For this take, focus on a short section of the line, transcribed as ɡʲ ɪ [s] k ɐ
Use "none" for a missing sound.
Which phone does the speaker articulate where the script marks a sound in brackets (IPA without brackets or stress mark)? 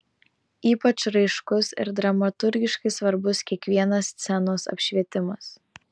ʃ